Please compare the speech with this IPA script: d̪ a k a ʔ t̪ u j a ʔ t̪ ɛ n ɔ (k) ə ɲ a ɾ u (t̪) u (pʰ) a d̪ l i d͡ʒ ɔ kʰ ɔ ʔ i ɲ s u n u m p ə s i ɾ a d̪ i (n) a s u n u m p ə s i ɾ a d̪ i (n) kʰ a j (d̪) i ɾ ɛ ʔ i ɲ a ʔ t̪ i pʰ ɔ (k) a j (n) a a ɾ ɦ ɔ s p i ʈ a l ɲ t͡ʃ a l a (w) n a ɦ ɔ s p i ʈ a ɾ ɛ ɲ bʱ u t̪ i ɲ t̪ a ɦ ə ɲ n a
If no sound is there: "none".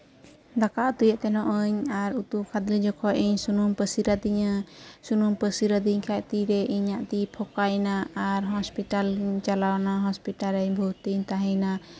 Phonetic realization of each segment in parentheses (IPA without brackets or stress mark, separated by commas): ʔ, t̪, kʰ, ɲ, ɲ, t̪, k, n, w